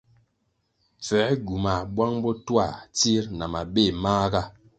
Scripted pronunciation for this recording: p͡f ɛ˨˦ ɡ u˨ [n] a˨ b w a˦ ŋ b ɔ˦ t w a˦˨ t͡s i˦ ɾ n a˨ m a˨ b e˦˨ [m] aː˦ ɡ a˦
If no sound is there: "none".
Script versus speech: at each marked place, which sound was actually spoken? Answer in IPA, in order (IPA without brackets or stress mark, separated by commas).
m, m